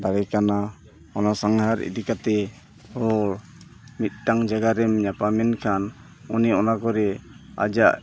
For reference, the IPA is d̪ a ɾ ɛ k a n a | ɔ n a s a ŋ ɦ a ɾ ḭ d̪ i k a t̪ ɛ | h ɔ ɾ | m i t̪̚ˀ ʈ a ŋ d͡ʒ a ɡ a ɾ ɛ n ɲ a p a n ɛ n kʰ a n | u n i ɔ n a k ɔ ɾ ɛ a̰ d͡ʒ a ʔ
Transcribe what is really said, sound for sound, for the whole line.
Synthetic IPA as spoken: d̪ a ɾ ɛ k a n a | ɔ n a s a ŋ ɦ a ɾ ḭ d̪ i k a t̪ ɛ | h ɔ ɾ | m i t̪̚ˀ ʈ a ŋ d͡ʒ a ɡ a ɾ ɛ m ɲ a p a m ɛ n kʰ a n | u n i ɔ n a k ɔ ɾ ɛ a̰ d͡ʒ a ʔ